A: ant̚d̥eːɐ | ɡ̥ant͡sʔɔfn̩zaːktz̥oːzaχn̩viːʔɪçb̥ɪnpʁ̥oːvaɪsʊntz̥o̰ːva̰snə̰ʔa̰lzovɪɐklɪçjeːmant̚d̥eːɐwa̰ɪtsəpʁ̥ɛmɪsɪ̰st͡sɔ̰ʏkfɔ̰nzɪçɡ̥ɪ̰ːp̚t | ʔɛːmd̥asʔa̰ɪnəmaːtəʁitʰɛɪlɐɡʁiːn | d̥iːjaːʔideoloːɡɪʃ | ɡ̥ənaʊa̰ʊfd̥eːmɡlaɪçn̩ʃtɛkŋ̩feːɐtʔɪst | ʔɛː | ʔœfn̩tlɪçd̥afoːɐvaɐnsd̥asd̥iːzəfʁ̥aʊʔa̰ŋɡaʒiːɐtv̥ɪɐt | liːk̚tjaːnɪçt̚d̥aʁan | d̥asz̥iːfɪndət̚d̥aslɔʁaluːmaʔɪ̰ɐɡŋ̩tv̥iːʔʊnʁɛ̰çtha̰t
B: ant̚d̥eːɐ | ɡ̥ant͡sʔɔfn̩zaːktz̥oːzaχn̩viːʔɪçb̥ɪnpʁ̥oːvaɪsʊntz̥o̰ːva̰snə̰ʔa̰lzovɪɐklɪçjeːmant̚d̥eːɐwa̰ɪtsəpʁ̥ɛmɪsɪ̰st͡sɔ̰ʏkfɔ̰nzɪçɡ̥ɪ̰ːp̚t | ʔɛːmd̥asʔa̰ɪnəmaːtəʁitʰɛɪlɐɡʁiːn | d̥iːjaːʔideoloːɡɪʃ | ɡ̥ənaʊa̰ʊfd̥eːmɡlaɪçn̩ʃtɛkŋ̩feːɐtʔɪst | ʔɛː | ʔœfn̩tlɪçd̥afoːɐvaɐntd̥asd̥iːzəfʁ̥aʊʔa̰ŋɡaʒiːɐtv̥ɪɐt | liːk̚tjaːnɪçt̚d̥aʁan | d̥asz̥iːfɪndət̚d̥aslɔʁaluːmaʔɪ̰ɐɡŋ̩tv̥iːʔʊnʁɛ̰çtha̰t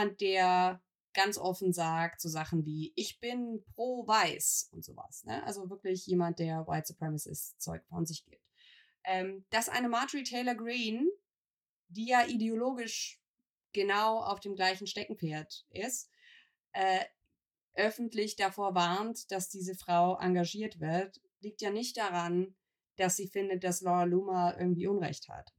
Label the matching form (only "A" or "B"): B